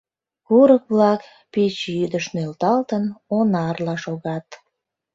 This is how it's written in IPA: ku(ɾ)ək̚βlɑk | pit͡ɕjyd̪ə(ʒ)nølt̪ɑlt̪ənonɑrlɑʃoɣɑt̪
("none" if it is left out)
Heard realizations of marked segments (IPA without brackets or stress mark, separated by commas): ɾ, ʃ